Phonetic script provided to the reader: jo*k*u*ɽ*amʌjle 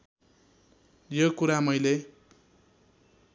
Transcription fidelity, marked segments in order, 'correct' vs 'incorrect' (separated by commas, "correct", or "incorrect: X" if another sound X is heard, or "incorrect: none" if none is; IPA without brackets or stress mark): correct, incorrect: ɾ